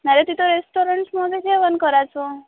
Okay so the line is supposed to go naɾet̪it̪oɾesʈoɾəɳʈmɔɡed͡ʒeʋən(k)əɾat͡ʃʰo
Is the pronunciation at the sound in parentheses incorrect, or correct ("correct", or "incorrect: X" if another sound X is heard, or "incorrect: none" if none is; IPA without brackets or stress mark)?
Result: correct